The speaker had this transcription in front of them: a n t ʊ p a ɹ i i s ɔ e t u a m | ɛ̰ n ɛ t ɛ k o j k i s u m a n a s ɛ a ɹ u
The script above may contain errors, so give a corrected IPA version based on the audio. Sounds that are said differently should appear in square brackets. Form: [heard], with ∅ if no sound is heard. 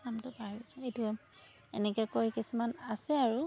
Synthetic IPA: a [m] t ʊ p a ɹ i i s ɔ e t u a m | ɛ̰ n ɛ [k] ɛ k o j k i s u m a n a s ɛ a ɹ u